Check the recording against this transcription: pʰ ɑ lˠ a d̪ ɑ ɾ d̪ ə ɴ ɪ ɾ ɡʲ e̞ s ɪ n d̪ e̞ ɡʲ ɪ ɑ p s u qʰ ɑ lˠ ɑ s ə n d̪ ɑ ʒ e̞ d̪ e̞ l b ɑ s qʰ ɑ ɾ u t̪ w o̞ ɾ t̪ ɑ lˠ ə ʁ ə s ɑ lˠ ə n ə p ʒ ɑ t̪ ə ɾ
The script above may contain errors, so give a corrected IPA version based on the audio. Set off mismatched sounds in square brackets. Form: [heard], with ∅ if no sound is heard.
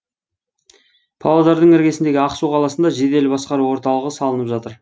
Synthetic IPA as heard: pʰ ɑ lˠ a d̪ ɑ ɾ d̪ ə ɴ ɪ ɾ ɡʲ e̞ s ɪ n d̪ e̞ ɡʲ ɪ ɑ [q] s u qʰ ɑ lˠ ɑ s ə n d̪ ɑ ʒ e̞ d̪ e̞ l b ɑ s [q] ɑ ɾ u [∅] w o̞ ɾ t̪ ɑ lˠ ə ʁ ə s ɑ lˠ ə n ə p ʒ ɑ t̪ ə ɾ